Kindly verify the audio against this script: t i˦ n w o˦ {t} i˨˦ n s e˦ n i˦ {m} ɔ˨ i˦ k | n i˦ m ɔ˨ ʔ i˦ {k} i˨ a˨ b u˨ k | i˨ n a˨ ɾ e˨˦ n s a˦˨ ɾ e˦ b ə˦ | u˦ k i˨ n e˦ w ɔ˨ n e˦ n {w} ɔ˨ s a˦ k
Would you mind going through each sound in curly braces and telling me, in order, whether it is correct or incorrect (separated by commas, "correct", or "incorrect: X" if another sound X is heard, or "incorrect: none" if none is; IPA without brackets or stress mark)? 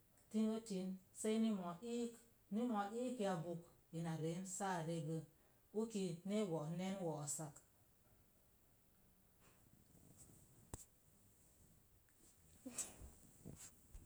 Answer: correct, correct, correct, correct